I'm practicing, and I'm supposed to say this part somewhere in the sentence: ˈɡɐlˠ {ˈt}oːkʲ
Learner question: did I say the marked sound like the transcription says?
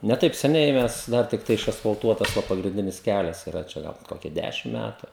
no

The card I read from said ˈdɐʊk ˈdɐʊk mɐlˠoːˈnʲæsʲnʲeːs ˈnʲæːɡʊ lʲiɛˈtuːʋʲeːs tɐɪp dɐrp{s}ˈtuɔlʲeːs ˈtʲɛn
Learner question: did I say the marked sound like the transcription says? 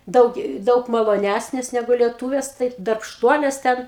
no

